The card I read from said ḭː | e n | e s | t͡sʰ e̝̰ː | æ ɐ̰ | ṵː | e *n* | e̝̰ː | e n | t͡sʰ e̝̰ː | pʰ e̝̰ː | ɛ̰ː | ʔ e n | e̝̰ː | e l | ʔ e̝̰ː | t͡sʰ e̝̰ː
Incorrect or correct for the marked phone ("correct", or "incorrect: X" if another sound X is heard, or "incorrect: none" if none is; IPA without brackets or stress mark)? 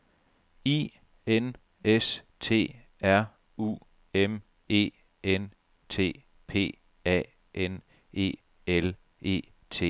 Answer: incorrect: m